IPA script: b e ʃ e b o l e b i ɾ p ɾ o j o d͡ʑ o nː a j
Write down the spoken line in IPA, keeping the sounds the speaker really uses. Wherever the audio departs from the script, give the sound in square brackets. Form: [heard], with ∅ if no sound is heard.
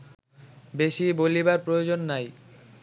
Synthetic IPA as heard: b e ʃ [i] b o l [i] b [a] ɾ p ɾ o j o d͡ʑ o nː a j